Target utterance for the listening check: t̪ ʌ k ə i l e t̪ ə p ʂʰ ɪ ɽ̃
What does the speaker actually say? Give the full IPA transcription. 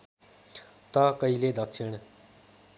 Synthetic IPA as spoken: t̪ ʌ k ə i l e d̪ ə k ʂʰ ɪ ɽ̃